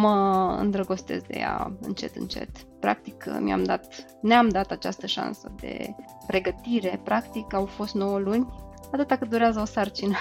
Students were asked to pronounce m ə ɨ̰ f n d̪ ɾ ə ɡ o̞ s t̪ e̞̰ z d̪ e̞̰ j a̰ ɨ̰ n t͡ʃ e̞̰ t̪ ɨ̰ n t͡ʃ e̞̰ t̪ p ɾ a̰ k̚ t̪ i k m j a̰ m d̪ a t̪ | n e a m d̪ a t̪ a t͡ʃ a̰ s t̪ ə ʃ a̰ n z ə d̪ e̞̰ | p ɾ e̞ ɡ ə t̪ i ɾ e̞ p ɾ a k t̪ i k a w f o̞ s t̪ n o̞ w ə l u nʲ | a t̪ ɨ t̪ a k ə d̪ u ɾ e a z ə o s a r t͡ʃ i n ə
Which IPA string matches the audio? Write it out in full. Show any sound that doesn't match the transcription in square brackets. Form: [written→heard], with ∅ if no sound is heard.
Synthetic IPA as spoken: m ə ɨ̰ [f→∅] n d̪ ɾ ə ɡ o̞ s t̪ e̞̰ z d̪ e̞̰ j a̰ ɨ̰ n t͡ʃ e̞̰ t̪ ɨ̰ n t͡ʃ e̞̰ t̪ p ɾ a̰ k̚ t̪ i k m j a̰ m d̪ a t̪ | n e a m d̪ a t̪ a t͡ʃ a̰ s t̪ ə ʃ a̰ n [z→s] ə d̪ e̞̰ | p ɾ e̞ ɡ ə t̪ i ɾ e̞ p ɾ a k t̪ i k a w f o̞ s t̪ n o̞ w ə l u nʲ | a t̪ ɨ t̪ a k ə d̪ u ɾ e a z ə o s a r t͡ʃ i n ə